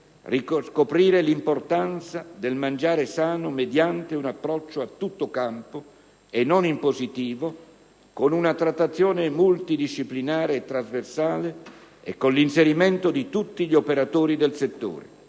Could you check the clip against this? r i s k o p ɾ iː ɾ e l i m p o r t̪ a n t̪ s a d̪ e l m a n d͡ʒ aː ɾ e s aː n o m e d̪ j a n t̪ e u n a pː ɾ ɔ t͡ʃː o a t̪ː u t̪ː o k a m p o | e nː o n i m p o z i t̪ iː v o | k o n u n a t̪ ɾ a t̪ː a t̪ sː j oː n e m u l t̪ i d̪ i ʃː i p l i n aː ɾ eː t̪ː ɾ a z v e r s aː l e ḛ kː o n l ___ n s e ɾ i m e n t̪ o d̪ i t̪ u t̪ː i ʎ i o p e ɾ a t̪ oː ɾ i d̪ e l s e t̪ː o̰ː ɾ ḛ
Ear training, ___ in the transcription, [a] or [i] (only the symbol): i